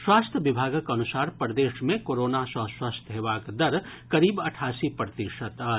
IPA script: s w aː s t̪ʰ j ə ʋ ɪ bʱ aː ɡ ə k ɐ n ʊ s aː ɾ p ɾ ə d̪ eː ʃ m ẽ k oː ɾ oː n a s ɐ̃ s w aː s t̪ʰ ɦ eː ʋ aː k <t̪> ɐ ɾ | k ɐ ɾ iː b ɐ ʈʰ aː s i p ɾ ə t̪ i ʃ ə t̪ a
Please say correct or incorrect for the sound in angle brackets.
incorrect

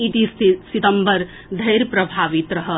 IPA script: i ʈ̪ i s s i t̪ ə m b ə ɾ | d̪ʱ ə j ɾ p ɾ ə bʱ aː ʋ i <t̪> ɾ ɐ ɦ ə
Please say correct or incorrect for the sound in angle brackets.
correct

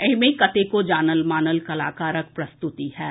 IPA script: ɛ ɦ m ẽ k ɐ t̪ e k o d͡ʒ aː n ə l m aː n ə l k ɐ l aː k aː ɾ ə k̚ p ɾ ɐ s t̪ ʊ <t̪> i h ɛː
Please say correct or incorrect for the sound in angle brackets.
correct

